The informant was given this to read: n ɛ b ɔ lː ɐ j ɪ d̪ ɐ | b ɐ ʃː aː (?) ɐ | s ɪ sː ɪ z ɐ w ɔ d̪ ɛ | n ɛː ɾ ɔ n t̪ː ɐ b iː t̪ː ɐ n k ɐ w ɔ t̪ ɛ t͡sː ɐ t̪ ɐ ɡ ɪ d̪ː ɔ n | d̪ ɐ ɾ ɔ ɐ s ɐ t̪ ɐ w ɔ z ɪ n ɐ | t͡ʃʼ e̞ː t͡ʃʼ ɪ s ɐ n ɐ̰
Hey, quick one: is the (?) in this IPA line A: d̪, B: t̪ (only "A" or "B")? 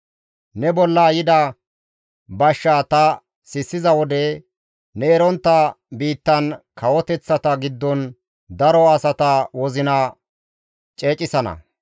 B